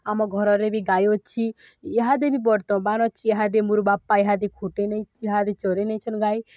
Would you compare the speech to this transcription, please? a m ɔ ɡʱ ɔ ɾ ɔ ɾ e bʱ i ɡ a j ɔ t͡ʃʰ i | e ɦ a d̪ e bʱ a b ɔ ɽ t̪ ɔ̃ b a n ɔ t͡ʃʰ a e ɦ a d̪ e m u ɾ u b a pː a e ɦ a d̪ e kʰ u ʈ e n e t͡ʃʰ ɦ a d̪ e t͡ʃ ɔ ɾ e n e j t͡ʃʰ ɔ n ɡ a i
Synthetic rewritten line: a m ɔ ɡʱ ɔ ɾ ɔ ɾ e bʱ i ɡ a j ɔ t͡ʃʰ i | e ɦ a d̪ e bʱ i b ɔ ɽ t̪ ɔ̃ b a n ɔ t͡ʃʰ i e ɦ a d̪ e m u ɾ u b a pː a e ɦ a d̪ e kʰ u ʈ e n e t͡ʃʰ ɦ a d̪ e t͡ʃ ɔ ɾ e n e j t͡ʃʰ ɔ n ɡ a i